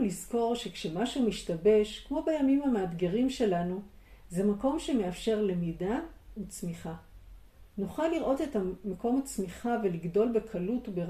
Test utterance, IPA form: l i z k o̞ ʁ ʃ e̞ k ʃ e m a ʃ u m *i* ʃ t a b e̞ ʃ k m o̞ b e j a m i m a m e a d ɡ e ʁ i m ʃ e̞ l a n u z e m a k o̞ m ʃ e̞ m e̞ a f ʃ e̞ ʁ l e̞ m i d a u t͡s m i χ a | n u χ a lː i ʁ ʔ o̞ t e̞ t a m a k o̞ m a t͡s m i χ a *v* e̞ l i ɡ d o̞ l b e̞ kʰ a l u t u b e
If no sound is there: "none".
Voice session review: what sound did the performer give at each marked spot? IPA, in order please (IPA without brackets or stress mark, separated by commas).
i, v